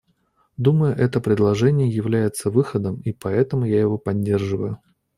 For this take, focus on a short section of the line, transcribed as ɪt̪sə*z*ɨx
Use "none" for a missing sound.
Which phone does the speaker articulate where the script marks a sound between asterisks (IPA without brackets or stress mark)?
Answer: v